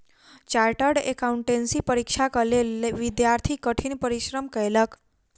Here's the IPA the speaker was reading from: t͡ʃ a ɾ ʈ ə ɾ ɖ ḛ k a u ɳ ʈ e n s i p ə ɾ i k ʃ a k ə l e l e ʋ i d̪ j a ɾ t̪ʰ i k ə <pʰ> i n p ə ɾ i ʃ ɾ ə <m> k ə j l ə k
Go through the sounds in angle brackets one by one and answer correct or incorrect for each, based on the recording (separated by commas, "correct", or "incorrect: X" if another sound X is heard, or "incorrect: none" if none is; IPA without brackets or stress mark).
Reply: incorrect: ʈʰ, correct